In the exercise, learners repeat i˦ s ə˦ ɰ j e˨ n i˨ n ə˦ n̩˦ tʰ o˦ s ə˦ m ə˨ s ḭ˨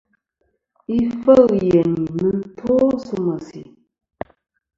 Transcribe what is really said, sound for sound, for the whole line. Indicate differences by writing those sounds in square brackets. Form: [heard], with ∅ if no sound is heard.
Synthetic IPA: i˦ [f] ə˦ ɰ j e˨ n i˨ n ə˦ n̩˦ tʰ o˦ s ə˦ m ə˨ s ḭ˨